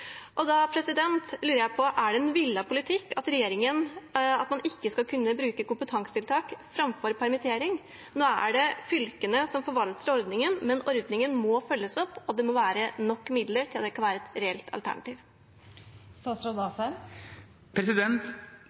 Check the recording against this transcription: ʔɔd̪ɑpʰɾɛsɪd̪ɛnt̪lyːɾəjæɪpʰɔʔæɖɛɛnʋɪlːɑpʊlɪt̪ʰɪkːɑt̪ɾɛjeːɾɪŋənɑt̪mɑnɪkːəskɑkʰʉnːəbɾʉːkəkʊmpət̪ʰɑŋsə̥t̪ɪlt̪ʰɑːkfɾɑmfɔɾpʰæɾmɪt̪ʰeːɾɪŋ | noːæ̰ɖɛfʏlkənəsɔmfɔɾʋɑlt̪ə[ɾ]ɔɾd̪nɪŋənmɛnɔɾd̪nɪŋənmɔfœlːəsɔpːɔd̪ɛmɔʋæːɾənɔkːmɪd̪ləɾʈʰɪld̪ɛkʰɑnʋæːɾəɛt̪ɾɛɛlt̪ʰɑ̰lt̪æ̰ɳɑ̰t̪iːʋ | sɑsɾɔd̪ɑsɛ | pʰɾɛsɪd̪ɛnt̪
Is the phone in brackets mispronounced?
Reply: no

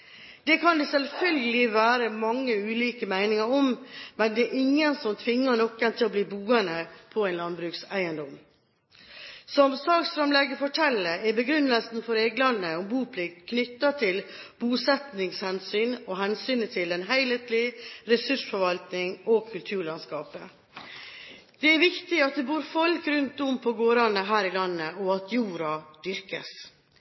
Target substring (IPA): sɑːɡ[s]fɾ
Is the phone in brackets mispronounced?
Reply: no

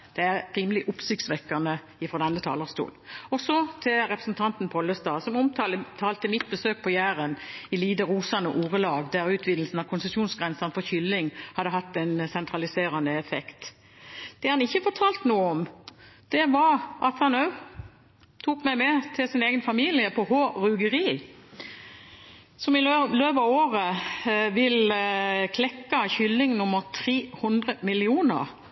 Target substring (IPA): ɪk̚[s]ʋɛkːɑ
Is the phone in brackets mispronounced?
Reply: no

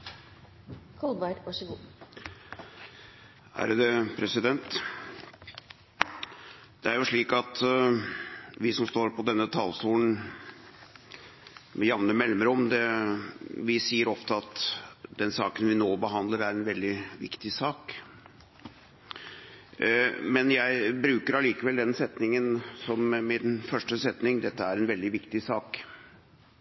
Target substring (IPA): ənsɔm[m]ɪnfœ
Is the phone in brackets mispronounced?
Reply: no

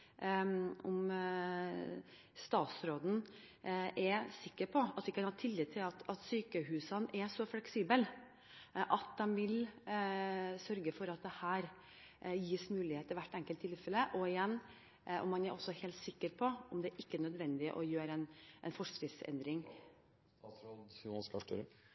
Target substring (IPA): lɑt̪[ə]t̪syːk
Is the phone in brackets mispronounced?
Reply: yes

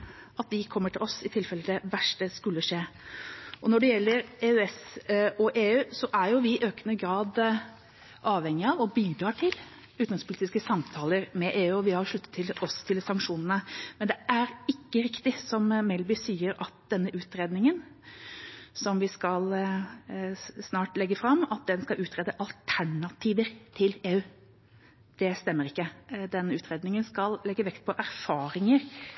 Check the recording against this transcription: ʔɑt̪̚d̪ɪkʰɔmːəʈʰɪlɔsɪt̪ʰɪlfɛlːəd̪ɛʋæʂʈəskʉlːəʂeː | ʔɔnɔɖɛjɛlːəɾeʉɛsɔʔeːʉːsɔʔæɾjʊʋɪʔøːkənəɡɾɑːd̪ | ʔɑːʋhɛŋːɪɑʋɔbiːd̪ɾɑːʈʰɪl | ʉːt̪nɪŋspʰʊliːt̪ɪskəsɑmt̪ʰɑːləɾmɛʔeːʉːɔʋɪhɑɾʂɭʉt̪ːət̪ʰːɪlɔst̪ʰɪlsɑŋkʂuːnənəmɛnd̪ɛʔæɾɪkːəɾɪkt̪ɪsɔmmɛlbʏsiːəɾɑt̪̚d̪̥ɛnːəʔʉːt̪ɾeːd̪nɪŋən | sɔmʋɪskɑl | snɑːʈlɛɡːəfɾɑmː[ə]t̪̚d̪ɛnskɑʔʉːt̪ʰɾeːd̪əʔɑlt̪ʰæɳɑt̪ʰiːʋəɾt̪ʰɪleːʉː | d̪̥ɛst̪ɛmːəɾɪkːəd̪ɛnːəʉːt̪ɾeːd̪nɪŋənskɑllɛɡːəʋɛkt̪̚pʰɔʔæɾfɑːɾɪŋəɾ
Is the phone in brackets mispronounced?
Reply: yes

